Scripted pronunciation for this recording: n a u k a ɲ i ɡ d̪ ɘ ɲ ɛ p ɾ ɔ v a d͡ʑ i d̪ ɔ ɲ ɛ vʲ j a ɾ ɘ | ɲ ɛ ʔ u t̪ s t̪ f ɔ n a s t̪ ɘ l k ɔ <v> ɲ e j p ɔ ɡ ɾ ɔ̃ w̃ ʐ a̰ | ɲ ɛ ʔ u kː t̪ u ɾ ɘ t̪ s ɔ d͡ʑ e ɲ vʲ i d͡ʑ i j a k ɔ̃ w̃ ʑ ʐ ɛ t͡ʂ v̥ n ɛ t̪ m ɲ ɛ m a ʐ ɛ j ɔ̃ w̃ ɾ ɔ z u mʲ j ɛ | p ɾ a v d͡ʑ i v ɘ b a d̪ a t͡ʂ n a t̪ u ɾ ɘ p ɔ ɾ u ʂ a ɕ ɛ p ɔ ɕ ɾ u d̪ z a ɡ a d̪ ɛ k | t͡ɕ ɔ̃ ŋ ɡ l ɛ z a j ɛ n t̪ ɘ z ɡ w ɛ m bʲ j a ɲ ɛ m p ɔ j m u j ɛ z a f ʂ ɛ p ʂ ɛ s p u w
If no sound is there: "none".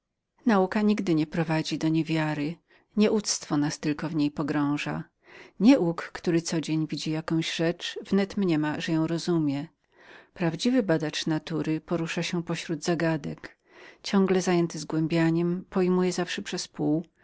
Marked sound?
v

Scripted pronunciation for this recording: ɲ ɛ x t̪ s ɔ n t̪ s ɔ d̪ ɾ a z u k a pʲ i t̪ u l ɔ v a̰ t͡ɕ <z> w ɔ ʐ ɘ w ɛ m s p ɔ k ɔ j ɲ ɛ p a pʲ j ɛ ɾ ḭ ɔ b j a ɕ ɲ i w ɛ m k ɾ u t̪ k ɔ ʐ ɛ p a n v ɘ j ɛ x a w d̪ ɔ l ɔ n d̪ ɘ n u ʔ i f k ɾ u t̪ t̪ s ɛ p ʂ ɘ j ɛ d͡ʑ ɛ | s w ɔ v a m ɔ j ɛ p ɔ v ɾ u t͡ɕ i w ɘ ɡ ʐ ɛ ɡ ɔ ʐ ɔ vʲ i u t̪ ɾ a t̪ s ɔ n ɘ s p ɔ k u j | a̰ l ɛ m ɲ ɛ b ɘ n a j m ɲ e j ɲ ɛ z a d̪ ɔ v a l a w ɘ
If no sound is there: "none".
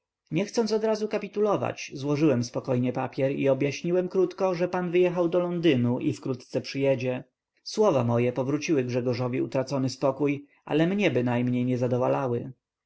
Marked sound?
z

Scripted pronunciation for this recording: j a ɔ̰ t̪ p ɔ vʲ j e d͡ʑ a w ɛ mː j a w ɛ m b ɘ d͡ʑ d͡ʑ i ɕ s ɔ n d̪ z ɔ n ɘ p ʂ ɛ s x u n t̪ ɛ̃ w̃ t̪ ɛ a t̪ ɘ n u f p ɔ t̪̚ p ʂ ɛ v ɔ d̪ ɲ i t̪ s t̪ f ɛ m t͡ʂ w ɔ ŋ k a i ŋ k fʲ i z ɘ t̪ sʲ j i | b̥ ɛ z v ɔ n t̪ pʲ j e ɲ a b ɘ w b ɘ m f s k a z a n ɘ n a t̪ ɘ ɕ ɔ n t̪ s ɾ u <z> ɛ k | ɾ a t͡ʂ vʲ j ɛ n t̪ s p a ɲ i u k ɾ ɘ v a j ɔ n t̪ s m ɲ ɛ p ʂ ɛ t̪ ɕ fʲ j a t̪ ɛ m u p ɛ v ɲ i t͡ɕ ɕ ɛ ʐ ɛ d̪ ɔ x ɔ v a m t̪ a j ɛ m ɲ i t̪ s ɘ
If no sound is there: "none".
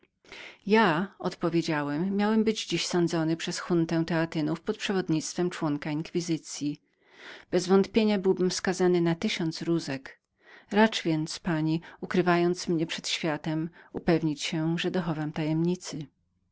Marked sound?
z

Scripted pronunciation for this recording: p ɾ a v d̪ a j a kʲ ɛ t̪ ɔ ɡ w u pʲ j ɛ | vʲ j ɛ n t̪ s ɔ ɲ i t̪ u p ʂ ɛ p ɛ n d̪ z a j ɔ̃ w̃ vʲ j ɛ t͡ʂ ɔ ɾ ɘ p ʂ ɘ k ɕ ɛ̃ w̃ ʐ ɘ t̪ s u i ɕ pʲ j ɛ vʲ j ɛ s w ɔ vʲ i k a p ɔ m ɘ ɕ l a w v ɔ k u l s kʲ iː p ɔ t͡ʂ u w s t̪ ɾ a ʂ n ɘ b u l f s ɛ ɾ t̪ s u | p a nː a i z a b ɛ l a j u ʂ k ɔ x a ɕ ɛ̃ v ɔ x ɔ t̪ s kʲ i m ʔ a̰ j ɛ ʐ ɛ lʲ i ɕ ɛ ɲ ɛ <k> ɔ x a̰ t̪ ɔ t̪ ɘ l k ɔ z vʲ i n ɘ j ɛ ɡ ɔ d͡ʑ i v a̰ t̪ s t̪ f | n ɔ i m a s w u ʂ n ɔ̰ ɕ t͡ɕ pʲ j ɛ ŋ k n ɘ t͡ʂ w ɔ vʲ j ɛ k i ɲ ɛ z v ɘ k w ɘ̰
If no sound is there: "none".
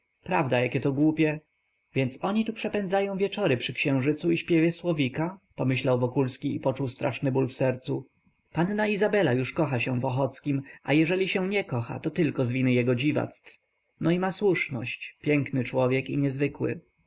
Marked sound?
k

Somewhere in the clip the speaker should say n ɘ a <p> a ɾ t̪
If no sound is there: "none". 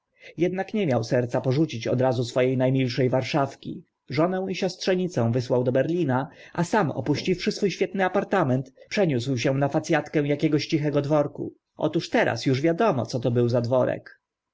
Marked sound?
p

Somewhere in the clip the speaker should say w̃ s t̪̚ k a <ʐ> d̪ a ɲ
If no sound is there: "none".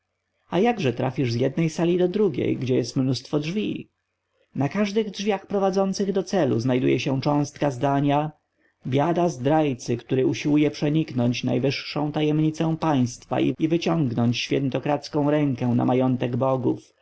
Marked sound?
z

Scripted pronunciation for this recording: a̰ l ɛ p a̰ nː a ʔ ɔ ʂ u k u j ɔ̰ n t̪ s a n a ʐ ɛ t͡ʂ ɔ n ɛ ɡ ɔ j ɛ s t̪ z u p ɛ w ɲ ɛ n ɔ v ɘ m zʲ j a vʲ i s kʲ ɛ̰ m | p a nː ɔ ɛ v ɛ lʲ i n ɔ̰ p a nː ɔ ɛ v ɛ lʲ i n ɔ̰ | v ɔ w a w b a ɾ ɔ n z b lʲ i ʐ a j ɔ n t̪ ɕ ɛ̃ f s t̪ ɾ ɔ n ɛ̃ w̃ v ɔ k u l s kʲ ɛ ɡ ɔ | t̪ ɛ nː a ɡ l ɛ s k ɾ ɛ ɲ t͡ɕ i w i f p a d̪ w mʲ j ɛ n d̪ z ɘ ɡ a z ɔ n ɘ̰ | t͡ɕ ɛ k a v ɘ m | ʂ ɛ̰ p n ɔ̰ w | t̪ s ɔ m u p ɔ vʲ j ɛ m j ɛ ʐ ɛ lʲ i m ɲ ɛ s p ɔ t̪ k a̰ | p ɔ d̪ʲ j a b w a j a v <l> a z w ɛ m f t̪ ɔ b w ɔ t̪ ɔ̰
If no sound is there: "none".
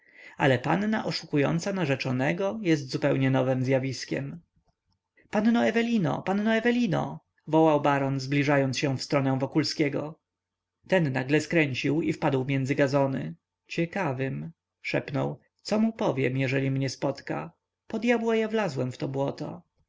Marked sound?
l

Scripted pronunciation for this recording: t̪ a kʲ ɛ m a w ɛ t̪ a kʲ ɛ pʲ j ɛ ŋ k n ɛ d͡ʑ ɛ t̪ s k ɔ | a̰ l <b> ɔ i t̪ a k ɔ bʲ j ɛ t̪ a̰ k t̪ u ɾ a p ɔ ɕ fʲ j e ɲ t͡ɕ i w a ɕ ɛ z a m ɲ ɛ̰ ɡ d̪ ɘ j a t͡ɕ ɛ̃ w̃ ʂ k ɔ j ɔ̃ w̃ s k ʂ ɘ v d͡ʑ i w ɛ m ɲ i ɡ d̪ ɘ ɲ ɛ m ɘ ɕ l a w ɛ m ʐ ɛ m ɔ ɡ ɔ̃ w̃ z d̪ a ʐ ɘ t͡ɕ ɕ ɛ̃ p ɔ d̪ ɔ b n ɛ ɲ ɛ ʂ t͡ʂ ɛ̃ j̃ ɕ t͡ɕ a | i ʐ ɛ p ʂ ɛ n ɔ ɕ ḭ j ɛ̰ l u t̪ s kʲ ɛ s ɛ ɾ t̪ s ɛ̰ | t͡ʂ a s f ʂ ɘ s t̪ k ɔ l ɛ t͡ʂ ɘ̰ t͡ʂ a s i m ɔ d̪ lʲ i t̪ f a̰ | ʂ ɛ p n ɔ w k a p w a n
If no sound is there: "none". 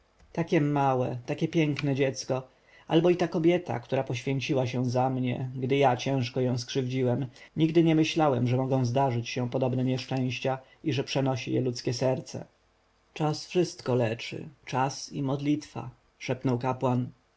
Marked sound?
b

